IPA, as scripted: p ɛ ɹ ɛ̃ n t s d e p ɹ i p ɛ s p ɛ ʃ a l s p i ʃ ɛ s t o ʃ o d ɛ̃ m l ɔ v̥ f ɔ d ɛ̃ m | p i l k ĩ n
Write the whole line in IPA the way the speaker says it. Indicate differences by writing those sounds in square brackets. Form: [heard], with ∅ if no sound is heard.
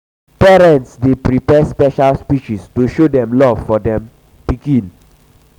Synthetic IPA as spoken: p ɛ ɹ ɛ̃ n t s d e p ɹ i p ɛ s p ɛ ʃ a l s p i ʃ [i] s t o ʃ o d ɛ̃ m l ɔ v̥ f ɔ d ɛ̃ m | p i [∅] k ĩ n